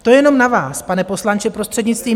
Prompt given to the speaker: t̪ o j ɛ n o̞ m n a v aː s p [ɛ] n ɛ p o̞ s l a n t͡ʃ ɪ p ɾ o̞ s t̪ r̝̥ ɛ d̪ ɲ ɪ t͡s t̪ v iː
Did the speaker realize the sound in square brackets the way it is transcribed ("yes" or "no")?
no